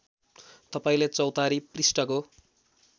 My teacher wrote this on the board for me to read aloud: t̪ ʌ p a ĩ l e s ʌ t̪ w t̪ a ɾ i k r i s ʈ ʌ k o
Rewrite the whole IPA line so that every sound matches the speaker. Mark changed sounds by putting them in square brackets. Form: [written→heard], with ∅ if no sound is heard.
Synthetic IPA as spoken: t̪ ʌ p a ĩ l e [s→t͡s] ʌ [t̪→∅] w t̪ a ɾ i [k→p] r i s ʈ ʌ k o